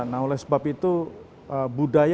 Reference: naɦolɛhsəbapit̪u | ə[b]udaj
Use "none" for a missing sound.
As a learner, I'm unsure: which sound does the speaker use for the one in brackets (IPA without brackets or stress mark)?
b